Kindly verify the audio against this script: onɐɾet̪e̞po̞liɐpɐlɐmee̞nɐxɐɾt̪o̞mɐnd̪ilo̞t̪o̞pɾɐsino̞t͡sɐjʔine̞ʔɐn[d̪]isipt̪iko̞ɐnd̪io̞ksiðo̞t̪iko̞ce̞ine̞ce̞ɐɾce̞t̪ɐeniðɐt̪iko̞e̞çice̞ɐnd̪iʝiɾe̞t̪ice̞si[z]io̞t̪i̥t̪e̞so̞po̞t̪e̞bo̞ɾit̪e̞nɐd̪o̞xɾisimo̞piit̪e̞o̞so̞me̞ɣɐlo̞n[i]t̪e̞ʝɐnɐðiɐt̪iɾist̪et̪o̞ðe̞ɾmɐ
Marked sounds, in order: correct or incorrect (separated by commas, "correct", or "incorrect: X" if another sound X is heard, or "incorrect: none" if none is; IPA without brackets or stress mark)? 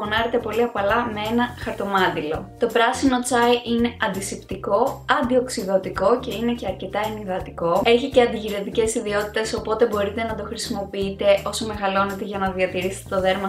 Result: correct, incorrect: ð, incorrect: e